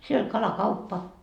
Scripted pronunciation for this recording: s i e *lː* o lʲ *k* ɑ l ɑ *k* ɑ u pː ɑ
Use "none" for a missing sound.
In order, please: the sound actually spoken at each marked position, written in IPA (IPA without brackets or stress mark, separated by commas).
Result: l, k, k